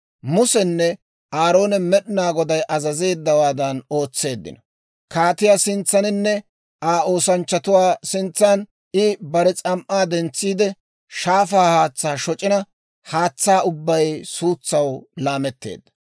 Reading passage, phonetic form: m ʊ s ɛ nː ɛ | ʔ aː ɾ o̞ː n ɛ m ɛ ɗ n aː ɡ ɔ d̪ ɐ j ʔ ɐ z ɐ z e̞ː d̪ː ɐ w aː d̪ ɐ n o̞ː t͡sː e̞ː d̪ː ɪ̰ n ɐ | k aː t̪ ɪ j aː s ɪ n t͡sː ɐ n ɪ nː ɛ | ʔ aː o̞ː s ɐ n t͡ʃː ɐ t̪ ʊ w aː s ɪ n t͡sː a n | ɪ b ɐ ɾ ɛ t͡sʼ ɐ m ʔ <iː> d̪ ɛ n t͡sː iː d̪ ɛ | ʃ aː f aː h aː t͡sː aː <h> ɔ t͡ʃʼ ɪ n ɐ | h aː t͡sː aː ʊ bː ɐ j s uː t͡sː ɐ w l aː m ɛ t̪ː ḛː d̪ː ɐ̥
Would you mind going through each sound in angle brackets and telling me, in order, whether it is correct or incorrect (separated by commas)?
incorrect, incorrect